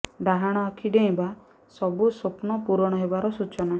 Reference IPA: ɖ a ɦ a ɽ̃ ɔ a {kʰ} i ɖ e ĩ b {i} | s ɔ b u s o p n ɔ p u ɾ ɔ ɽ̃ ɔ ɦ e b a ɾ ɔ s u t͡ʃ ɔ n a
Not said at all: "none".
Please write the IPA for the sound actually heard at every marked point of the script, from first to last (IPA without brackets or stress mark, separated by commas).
kʰ, a